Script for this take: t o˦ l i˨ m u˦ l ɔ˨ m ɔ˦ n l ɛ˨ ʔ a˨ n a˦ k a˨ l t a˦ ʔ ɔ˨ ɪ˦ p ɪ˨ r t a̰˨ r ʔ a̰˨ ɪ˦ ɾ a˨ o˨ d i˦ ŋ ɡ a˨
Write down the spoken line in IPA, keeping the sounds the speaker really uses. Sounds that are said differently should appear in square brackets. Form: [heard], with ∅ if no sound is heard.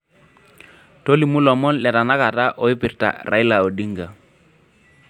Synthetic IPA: t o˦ l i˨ m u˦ l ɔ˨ m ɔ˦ n l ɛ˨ [t] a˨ n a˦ k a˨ [∅] t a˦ ʔ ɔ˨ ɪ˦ p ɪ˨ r t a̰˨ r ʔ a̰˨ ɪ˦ [l] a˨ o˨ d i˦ ŋ ɡ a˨